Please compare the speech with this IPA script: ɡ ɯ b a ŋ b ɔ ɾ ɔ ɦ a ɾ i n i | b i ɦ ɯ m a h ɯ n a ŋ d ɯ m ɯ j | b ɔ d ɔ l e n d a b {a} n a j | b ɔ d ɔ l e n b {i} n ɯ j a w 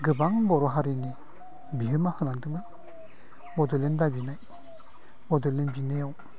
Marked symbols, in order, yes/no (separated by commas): no, yes